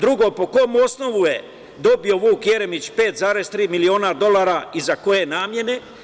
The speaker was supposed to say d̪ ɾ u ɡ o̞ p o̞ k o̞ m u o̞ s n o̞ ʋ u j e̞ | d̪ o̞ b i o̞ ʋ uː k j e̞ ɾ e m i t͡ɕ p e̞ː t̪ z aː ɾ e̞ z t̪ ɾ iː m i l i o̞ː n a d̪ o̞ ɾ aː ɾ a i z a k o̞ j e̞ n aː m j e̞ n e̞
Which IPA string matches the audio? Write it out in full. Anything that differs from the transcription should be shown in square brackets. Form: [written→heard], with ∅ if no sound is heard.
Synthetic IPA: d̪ ɾ u ɡ o̞ p o̞ k o̞ m u o̞ s n o̞ ʋ u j e̞ | d̪ o̞ b i o̞ ʋ uː k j e̞ ɾ e m i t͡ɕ p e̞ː t̪ z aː ɾ e̞ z t̪ ɾ iː m i l i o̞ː n a d̪ o̞ [ɾ→l] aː ɾ a i z a k o̞ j e̞ n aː m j e̞ n e̞